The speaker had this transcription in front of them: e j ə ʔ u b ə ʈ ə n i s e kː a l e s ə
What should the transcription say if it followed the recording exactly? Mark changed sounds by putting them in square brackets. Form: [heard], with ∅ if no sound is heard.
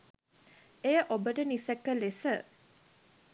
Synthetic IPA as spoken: e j ə ʔ [o] b ə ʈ ə n i s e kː [ə] l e s ə